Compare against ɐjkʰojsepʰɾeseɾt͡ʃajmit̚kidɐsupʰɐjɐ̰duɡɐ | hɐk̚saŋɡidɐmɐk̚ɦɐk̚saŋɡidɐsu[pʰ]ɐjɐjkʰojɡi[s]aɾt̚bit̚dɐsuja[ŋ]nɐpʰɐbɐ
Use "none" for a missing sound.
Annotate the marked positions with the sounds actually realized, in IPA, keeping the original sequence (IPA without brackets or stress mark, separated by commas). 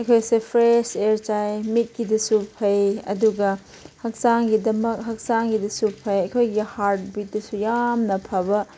pʰ, h, m